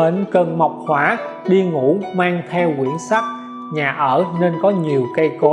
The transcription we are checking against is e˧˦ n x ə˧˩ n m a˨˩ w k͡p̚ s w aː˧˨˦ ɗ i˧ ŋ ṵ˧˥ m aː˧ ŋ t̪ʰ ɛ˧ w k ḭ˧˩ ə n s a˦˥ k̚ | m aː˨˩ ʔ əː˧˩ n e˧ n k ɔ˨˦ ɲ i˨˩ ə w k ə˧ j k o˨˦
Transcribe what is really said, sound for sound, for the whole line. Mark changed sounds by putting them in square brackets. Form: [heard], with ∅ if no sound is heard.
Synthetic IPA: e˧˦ n [k] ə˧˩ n m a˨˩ w k͡p̚ [h] w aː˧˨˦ ɗ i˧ ŋ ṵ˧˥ m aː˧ ŋ t̪ʰ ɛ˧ w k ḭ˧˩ ə n s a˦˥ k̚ | [ɲ] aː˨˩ ʔ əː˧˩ n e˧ n k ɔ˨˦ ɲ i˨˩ ə w k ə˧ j k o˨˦